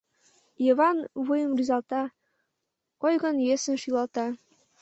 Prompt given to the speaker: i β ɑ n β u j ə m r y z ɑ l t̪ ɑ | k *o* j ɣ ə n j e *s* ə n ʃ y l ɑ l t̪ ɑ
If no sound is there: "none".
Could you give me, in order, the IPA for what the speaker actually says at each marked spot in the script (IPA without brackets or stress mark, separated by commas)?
o, s